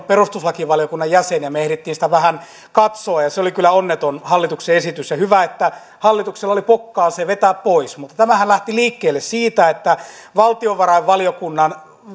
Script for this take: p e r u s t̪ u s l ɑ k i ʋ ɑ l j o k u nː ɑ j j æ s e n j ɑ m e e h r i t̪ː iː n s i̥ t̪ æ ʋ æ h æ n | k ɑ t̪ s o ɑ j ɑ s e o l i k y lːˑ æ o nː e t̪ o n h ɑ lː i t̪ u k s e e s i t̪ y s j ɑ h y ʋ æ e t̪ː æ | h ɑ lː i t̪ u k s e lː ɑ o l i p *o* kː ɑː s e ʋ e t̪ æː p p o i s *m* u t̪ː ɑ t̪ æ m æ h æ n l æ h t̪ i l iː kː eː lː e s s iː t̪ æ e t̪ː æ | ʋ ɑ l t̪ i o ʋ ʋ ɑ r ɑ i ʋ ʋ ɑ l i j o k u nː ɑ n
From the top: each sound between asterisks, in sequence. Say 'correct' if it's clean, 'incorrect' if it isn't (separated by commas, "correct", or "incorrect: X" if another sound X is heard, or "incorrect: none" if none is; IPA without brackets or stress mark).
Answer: correct, correct